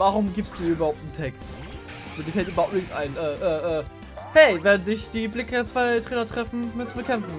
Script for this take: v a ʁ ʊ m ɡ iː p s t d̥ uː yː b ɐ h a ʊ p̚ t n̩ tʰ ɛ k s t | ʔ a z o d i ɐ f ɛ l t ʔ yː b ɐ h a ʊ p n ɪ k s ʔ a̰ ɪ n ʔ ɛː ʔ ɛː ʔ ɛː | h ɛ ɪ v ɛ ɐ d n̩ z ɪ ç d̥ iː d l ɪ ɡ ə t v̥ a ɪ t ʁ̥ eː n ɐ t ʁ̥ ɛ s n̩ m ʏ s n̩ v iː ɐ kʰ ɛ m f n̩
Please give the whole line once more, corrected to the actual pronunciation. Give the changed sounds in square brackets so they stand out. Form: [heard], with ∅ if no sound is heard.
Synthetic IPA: v a ʁ ʊ m ɡ iː p s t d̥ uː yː b ɐ h a ʊ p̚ t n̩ tʰ ɛ k s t | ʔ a z o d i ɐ f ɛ l t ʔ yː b ɐ h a ʊ p n ɪ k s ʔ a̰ ɪ n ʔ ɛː ʔ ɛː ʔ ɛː | h ɛ ɪ v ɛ ɐ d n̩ z ɪ ç d̥ iː [b] l ɪ [k] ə [t͡s] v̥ a ɪ t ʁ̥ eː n ɐ t ʁ̥ ɛ [f] n̩ m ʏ s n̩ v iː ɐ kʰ ɛ m f n̩